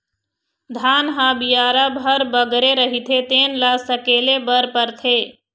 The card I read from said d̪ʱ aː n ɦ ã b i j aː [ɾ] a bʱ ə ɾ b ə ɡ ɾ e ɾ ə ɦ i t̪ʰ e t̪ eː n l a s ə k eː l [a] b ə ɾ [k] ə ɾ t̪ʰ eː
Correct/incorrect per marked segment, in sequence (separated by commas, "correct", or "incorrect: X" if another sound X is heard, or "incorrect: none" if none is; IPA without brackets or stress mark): correct, incorrect: e, incorrect: p